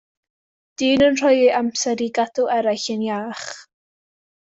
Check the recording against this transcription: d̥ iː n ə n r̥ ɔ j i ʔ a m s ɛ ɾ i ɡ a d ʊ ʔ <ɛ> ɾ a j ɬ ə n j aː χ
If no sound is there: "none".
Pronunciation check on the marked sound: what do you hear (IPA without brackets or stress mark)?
ɛ